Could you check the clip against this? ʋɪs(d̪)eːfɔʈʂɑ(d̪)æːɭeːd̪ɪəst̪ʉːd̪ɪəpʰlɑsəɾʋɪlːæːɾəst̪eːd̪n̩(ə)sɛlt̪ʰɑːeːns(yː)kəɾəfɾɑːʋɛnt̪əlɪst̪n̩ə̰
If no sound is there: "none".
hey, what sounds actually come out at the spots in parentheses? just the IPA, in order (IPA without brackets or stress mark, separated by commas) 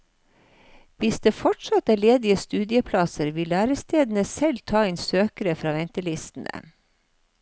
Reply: d̪, t̪, ə, øː